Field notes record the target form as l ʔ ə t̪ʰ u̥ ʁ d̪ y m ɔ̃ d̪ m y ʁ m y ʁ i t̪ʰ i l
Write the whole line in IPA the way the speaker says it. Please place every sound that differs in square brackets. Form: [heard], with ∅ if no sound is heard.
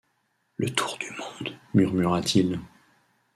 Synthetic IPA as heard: l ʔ ə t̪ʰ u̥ ʁ d̪ y m ɔ̃ d̪ m y ʁ m y ʁ [a] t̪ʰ i l